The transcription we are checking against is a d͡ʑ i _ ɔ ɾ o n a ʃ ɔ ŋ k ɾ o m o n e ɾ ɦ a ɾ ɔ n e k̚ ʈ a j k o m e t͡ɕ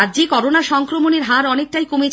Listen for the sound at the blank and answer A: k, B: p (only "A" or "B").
A